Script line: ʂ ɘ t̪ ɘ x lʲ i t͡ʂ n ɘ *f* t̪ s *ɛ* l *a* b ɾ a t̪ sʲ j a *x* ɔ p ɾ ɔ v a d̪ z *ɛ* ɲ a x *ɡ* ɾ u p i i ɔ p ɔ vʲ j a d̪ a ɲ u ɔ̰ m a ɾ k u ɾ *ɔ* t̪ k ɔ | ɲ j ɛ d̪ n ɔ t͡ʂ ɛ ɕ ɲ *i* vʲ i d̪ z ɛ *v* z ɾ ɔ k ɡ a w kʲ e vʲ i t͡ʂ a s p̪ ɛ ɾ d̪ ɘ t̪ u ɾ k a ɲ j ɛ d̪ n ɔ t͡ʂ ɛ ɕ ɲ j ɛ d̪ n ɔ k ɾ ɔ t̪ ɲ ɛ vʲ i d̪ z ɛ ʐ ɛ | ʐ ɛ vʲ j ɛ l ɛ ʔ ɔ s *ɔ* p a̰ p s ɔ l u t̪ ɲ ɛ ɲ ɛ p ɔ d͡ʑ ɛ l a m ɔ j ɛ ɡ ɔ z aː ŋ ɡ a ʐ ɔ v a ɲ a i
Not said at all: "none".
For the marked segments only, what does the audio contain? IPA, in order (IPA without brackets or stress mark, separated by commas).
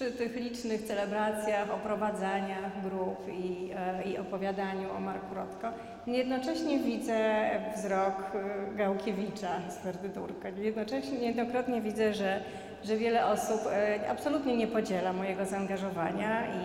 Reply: x, ɛ, ɛ, x, a, ɡ, ɔ, ɛ, v, u